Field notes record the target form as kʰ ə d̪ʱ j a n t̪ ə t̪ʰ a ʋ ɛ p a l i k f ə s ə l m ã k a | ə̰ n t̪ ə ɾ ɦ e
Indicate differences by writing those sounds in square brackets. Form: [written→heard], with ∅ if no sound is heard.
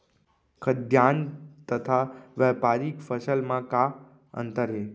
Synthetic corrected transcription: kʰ ə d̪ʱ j a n t̪ ə t̪ʰ a ʋ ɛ p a [l→ɾ] i k f ə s ə l m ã k a | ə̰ n t̪ ə ɾ ɦ e